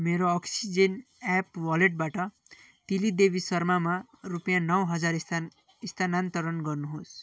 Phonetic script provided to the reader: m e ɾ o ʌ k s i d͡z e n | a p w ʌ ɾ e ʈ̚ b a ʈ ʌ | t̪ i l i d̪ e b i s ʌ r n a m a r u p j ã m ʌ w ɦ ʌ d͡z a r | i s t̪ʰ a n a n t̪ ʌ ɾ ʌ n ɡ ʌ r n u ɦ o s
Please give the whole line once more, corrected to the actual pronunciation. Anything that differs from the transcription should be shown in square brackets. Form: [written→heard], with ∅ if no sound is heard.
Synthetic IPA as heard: m e ɾ o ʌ k s i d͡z e n | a p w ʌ [ɾ→l] e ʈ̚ b a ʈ ʌ | t̪ i l i d̪ e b i s ʌ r [n→m] a m a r u p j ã [m→n] ʌ w ɦ ʌ d͡z a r | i s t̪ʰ a n a n t̪ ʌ ɾ ʌ n ɡ ʌ r n u ɦ o s